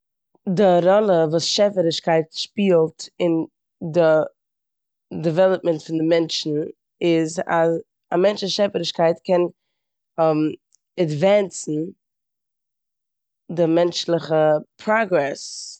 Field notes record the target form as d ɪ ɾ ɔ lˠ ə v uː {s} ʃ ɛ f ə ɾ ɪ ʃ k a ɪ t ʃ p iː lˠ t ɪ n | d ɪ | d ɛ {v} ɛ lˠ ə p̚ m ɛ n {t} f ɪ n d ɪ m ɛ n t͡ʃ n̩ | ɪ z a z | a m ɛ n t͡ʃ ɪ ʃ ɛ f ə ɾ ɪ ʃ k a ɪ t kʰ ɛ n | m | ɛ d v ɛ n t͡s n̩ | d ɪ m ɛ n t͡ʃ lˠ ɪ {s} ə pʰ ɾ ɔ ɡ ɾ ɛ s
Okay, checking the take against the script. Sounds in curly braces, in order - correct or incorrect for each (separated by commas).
correct, correct, correct, incorrect